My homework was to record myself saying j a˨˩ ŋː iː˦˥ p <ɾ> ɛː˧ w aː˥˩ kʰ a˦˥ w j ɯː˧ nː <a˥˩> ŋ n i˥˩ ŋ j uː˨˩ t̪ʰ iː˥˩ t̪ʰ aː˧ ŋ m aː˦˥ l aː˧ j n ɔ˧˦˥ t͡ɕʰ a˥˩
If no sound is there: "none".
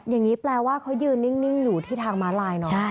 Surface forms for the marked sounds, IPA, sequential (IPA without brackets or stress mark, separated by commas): l, i˥˩